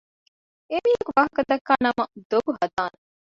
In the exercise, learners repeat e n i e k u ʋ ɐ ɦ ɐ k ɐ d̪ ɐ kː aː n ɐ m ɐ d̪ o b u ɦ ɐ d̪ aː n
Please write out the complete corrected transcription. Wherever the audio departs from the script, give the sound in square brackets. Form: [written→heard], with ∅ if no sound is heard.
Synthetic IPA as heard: e [n→m] i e k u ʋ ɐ ɦ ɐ k ɐ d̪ ɐ kː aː n ɐ m ɐ d̪ o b u ɦ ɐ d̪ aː n